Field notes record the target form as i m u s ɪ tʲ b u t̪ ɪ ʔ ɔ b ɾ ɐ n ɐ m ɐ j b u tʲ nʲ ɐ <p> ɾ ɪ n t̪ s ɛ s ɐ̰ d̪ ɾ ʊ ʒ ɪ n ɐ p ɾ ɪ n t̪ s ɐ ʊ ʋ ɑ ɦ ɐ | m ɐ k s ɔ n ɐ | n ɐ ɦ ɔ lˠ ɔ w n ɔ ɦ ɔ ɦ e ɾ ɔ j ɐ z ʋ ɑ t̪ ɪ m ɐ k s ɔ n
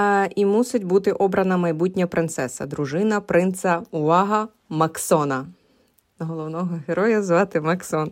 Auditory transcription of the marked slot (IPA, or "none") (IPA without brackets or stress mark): p